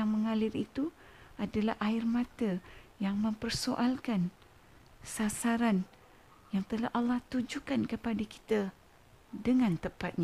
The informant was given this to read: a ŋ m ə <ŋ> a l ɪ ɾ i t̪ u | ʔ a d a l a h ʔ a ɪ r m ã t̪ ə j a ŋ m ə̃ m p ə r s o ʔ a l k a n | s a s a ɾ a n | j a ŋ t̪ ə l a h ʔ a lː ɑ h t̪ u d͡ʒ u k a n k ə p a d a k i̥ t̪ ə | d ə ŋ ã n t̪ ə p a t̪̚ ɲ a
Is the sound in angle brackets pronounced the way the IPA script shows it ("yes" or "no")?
yes